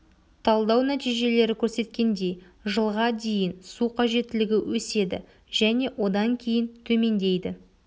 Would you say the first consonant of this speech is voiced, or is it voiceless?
voiceless